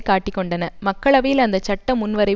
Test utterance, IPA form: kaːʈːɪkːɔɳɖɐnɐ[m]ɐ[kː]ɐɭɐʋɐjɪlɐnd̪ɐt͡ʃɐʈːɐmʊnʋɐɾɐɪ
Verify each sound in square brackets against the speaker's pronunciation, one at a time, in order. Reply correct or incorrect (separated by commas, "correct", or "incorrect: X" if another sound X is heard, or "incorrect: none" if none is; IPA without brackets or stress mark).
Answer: correct, correct